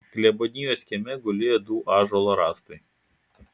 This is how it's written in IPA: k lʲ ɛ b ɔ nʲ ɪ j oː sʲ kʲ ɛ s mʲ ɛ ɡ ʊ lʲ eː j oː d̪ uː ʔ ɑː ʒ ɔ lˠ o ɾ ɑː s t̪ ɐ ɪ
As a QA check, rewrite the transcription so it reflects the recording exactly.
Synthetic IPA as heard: k lʲ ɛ b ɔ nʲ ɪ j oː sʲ kʲ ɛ mʲ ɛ ɡ ʊ lʲ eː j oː d̪ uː ʔ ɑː ʒ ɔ lˠ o ɾ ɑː s t̪ ɐ ɪ